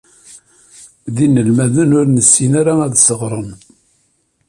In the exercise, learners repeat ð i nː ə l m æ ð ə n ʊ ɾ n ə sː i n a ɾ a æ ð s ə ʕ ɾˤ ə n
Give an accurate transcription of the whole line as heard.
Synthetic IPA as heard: ð i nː ə l m æ ð ə n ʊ ɾ n ə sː i n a ɾ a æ ð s ə ʁ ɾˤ ə n